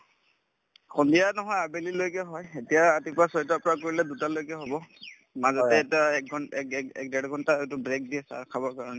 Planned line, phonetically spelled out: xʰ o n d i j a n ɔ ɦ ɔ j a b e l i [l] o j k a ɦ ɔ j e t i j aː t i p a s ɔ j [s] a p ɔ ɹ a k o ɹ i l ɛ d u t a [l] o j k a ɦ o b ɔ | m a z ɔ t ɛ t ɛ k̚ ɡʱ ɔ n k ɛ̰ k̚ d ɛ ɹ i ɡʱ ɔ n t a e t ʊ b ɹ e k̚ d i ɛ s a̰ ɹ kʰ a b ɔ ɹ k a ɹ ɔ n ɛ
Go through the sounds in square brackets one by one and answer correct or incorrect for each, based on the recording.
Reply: correct, incorrect, correct

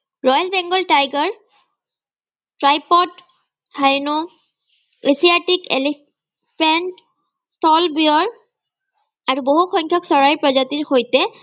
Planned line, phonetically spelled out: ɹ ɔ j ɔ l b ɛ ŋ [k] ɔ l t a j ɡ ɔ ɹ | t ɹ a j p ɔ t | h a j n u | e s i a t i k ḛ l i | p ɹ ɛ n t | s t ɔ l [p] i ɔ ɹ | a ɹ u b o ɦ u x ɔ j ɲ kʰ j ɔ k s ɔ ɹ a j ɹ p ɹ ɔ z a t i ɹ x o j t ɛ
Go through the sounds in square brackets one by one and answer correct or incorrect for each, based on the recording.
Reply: incorrect, incorrect

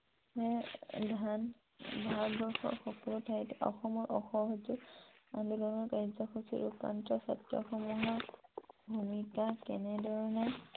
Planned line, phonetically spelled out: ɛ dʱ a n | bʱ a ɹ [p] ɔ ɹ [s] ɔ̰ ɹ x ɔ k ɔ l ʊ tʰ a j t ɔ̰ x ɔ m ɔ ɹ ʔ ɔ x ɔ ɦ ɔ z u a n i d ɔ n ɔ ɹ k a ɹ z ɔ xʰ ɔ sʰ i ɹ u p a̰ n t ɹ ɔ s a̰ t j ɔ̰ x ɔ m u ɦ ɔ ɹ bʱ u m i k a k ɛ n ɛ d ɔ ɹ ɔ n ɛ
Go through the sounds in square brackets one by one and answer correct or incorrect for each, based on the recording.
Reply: incorrect, incorrect

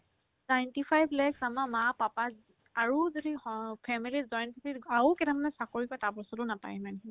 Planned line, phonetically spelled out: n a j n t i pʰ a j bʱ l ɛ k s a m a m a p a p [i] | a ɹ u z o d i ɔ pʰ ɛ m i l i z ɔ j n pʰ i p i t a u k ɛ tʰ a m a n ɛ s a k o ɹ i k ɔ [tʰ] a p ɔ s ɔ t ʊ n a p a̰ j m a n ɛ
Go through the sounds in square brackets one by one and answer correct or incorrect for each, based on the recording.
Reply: incorrect, incorrect

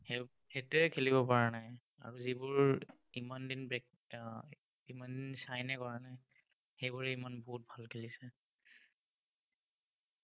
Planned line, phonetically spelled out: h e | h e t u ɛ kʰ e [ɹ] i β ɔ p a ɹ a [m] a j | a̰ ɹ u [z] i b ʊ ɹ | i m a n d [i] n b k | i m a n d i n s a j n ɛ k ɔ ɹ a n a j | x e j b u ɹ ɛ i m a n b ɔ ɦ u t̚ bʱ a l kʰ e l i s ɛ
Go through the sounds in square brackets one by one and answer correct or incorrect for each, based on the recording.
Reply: incorrect, incorrect, correct, correct

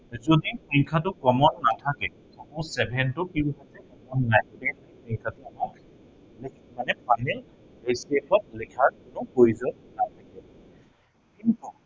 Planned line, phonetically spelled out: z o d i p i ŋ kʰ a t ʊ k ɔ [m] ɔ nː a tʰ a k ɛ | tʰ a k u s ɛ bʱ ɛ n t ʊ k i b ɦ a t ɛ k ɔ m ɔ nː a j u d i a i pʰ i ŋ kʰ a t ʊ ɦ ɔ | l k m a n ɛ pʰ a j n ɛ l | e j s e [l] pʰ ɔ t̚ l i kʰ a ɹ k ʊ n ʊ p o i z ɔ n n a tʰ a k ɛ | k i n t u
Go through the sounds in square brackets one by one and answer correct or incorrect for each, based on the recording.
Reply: correct, incorrect

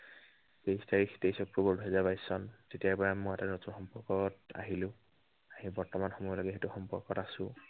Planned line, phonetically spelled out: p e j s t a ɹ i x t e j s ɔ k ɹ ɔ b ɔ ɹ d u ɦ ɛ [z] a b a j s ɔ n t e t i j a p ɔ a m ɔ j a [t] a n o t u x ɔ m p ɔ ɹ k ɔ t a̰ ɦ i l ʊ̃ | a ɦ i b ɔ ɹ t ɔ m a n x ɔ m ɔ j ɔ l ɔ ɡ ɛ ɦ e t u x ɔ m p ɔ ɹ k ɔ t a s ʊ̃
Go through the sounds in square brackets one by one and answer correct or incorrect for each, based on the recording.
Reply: correct, correct

